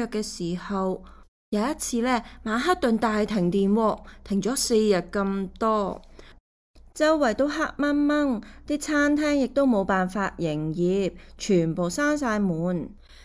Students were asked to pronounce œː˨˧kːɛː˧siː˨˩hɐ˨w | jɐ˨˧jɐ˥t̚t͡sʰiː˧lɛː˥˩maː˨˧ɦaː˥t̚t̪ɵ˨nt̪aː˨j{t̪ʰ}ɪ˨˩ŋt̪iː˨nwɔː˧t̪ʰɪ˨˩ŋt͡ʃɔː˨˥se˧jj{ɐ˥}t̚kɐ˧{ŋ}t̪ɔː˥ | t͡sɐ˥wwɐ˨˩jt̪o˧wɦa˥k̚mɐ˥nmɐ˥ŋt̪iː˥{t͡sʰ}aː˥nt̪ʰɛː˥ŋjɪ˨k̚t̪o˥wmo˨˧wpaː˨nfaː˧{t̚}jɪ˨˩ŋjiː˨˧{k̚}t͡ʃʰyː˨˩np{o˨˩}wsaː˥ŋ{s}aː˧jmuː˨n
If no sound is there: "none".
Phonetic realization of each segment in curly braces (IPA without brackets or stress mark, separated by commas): t̪ʰ, ɐ˨, m, t͡sʰ, t̚, p̚, o˨˩, s